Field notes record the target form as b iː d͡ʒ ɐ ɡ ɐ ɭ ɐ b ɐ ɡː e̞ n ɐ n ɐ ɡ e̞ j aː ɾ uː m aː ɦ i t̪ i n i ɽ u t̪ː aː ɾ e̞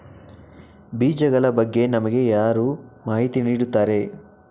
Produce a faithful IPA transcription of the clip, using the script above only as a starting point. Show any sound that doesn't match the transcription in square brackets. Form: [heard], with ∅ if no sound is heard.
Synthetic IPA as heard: b iː d͡ʒ ɐ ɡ ɐ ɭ ɐ b ɐ ɡː e̞ n ɐ [m] ɐ ɡ e̞ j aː ɾ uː m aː ɦ i t̪ i n [iː] ɽ u t̪ː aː ɾ e̞